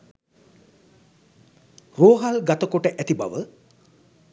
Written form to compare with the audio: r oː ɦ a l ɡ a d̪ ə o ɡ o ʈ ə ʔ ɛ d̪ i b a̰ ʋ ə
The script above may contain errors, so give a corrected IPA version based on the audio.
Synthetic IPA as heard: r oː ɦ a l ɡ a t̪ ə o k o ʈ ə ʔ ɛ t̪ i b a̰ ʋ ə